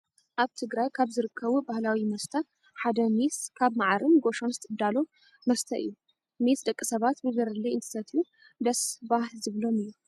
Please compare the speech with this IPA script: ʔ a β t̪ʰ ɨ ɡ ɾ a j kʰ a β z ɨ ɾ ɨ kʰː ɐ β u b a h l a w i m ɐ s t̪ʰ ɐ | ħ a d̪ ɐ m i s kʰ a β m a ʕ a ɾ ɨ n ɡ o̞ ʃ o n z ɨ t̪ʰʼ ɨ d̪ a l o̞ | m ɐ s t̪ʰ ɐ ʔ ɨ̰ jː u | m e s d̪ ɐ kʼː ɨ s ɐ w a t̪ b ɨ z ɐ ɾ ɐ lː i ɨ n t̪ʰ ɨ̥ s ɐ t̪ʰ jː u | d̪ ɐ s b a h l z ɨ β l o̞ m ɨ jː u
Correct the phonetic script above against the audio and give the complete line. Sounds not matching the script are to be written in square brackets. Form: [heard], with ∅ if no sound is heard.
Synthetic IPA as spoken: ʔ a β t̪ʰ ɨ ɡ ɾ a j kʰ a β z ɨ ɾ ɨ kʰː ɐ β u b a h l a w i m ɐ s t̪ʰ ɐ | ħ a d̪ ɐ m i s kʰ a β m a ʕ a ɾ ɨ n ɡ o̞ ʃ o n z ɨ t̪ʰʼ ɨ d̪ a l o̞ | m ɐ s t̪ʰ ɐ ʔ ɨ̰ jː u | m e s d̪ ɐ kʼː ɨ s ɐ [β] a t̪ b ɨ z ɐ ɾ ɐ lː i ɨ n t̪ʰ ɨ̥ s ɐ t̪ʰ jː u | d̪ ɐ s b a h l z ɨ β l o̞ m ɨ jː u